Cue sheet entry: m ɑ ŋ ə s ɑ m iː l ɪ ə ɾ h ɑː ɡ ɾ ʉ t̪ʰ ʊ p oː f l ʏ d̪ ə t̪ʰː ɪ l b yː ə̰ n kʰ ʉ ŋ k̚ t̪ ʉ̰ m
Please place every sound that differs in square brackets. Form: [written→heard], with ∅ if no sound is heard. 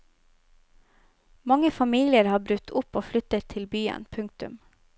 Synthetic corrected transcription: m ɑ ŋ ə [s→f] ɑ m iː l ɪ ə ɾ h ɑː [ɡ→b] ɾ ʉ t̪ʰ ʊ p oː f l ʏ [d̪→t̪] ə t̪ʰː ɪ l b yː ə̰ n [kʰ→pʰ] ʉ ŋ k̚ t̪ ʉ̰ m